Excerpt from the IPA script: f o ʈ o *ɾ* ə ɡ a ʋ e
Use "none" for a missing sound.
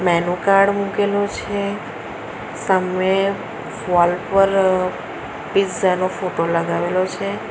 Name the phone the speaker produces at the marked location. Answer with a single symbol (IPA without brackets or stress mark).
l